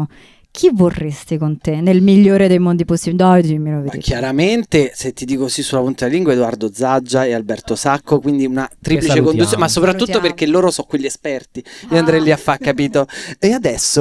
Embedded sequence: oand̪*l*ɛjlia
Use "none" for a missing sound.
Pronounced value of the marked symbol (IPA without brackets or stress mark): ɾ